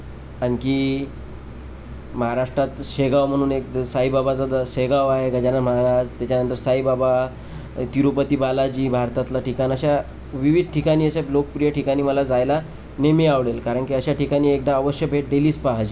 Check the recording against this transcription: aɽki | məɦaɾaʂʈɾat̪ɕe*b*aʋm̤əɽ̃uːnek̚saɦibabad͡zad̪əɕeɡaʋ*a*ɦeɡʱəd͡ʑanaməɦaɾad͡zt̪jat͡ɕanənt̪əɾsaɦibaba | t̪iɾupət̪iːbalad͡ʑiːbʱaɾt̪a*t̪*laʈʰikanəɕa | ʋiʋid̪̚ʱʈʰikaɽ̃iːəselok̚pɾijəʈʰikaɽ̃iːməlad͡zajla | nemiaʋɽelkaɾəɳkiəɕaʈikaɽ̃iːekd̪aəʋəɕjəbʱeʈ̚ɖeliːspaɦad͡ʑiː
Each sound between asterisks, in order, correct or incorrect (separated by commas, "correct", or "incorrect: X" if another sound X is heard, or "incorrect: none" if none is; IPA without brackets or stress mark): incorrect: ɡ, correct, correct